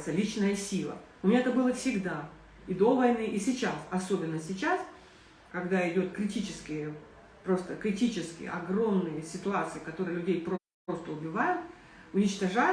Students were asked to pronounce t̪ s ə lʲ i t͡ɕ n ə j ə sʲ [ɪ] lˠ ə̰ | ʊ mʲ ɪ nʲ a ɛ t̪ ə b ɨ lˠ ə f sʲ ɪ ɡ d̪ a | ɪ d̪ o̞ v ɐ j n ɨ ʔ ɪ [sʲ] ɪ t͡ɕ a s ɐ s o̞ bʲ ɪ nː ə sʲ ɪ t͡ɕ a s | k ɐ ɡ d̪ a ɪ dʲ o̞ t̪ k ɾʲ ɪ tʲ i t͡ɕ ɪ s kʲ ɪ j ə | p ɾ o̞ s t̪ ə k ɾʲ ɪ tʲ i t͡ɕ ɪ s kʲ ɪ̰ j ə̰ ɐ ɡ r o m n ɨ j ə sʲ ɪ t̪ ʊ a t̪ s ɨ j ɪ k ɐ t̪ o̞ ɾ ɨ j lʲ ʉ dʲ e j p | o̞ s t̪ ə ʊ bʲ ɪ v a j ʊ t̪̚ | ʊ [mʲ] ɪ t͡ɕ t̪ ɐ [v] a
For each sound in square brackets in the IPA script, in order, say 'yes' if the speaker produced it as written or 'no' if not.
no, yes, no, no

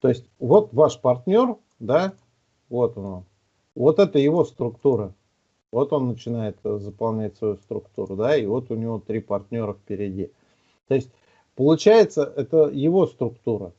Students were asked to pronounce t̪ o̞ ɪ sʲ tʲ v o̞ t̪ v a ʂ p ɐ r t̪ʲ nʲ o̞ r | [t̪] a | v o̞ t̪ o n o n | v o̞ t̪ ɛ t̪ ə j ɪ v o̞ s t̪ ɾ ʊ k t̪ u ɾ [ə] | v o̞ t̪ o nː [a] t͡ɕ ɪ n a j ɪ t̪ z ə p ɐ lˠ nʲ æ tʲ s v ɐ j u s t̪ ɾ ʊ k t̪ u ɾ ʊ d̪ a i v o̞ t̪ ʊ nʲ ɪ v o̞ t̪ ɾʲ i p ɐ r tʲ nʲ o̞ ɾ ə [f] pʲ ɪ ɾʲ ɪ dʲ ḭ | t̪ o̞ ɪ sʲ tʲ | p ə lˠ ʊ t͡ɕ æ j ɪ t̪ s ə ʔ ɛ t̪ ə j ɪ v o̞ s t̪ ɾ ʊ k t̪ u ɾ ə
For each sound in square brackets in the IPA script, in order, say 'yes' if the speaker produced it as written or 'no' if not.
no, yes, no, yes

